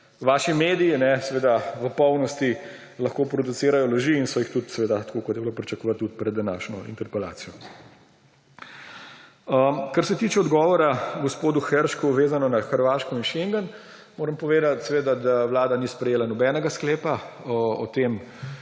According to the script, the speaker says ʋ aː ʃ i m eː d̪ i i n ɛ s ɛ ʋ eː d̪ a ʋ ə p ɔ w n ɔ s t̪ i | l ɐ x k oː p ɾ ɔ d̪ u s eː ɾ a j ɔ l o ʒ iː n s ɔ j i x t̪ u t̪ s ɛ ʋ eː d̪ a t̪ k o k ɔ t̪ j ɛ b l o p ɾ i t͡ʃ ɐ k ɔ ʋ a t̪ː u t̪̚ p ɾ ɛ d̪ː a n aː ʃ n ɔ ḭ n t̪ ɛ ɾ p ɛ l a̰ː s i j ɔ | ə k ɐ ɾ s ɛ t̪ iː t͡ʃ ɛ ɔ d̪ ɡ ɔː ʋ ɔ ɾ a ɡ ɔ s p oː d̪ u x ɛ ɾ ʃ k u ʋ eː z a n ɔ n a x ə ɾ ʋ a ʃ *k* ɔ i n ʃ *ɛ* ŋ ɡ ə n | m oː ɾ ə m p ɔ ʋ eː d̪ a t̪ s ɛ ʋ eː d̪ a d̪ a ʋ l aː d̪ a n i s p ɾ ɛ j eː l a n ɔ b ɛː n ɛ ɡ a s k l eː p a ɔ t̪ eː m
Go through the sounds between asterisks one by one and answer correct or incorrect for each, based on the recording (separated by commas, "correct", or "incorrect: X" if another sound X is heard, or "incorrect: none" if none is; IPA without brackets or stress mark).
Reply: correct, incorrect: e